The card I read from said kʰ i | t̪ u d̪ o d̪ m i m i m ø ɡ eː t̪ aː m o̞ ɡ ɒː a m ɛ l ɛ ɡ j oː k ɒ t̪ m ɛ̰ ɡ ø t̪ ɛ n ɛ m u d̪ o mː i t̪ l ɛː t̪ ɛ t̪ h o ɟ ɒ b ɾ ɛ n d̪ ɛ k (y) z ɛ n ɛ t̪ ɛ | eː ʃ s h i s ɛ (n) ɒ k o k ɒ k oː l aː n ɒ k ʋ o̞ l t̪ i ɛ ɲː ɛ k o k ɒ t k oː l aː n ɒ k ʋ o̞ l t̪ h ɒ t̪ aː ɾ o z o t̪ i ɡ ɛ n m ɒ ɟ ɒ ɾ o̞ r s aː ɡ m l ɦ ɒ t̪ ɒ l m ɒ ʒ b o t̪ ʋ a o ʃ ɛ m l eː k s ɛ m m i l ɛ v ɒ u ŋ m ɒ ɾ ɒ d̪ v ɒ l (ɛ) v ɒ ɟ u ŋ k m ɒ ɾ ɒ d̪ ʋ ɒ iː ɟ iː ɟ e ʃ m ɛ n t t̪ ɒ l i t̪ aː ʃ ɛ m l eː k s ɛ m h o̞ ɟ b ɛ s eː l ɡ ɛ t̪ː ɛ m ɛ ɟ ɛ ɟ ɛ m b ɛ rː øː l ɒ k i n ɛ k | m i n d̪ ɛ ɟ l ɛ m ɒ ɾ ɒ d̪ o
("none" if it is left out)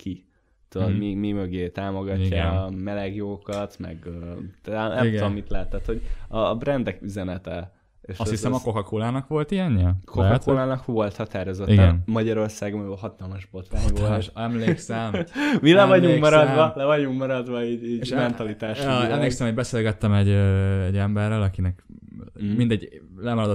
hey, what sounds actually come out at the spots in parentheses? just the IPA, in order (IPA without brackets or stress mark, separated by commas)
y, m, ɛ